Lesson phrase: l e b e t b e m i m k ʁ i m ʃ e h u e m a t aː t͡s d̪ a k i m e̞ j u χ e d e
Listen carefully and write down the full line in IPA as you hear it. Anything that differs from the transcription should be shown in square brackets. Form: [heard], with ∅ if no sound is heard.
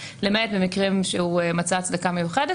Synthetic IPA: l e [m] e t b e m i [∅] k ʁ i m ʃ e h u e m a [t͡s] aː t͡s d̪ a k [a] m e̞ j u χ e d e